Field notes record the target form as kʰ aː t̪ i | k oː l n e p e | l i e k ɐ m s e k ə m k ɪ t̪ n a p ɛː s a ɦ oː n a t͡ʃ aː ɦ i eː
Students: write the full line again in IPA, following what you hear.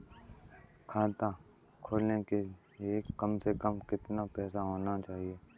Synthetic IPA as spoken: kʰ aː t̪ a | kʰ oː l n e k e | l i e k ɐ m s e k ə m k ɪ t̪ n a p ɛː s a ɦ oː n a t͡ʃ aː ɦ i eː

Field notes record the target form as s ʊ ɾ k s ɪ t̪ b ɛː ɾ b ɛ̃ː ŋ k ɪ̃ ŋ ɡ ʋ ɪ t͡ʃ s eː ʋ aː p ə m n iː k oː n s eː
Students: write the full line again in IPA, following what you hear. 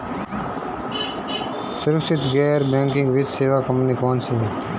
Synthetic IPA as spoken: s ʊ ɾ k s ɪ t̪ ɡ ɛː ɾ b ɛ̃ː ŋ k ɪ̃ ŋ ɡ ʋ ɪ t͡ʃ s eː ʋ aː k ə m n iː k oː n s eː

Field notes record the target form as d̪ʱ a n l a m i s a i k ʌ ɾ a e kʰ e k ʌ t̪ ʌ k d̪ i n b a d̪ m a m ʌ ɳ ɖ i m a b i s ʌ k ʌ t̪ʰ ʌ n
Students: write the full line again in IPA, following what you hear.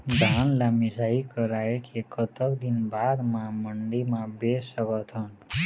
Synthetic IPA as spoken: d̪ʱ a n l a m i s a i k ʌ ɾ a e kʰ e k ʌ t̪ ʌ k d̪ i n b a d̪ m a m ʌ ɳ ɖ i m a b e s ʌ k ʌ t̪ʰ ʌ n

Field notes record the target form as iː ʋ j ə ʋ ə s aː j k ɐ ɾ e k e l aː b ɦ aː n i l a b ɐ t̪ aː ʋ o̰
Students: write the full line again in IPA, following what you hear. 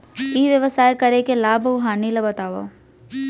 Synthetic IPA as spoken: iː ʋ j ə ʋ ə s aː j k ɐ ɾ e k e l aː b ɦ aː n i l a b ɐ t̪ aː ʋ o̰

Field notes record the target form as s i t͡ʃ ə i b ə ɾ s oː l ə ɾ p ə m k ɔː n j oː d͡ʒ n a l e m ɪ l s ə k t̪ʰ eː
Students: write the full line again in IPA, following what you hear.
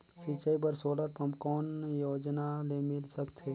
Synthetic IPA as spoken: s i t͡ʃ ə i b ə ɾ s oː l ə ɾ p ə m k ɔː n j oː d͡ʒ n a l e m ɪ l s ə k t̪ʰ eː

